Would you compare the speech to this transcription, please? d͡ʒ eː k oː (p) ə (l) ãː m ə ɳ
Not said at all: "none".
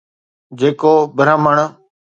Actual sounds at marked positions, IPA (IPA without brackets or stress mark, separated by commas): b, ɾ